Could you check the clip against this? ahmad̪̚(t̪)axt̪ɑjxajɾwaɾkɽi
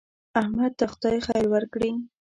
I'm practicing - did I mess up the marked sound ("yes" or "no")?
no